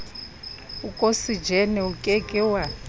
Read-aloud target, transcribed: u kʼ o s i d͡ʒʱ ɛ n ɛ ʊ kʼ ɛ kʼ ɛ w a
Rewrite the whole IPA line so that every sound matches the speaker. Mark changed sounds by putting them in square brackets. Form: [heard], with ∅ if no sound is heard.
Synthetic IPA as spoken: u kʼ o s i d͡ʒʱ ɛ n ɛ [u] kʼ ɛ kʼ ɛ w a